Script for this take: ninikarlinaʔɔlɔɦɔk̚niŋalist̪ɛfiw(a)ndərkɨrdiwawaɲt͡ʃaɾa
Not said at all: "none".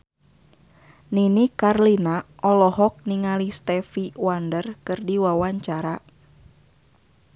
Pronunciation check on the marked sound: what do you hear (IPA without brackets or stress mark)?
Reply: a